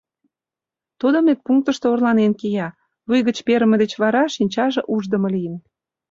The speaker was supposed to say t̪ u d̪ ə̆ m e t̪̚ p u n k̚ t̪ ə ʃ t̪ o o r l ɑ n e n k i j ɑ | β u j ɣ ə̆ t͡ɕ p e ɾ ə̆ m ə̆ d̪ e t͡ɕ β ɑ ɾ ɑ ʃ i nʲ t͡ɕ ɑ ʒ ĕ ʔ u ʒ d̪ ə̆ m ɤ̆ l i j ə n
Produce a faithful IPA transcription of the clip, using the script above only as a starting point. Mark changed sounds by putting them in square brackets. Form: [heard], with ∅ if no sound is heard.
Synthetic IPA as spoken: t̪ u d̪ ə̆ m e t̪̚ p u [ŋ] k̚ t̪ ə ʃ t̪ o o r l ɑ n e n k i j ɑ | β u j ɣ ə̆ t͡ɕ p e ɾ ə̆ m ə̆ d̪ e t͡ɕ β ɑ ɾ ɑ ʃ i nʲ t͡ɕ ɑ ʒ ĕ ʔ u ʒ d̪ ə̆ m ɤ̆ l i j ə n